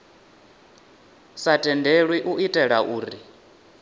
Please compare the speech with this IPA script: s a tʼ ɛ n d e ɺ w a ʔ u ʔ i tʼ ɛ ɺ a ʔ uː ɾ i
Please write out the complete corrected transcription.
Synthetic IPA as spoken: s a tʼ ɛ n d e ɺ w i ʔ u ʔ i tʼ ɛ ɺ a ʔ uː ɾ i